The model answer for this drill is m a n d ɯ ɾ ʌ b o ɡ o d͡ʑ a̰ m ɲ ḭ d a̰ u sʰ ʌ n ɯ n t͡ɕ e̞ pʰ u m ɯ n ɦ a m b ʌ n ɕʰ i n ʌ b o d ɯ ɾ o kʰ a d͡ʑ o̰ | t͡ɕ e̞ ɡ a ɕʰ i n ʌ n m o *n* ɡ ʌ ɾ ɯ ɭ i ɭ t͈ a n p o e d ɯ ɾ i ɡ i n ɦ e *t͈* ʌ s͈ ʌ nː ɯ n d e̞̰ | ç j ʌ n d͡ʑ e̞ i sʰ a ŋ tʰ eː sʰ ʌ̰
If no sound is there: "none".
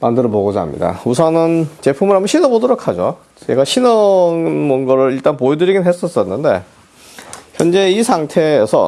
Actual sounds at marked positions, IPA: n, s͈

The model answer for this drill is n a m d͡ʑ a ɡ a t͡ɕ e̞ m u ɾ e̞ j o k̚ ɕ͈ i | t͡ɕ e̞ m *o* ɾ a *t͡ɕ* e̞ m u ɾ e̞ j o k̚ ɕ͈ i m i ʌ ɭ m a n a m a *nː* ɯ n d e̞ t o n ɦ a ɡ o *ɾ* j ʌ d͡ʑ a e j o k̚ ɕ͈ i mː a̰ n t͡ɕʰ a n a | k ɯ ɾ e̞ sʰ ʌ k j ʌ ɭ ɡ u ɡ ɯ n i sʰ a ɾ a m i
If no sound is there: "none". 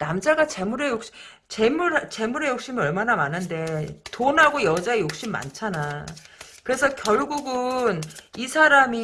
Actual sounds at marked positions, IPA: u, t͡ɕ, n, none

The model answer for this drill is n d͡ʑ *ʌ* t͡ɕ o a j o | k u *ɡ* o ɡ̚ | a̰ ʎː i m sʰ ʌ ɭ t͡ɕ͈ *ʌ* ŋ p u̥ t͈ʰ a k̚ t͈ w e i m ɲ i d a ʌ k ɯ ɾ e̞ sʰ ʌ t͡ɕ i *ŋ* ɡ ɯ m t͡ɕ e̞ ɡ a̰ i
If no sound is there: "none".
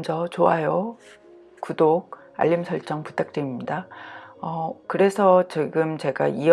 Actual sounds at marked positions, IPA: ʌ, d, ʌ, none

